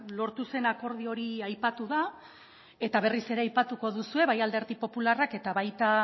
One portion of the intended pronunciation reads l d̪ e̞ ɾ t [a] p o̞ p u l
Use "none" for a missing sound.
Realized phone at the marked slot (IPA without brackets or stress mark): i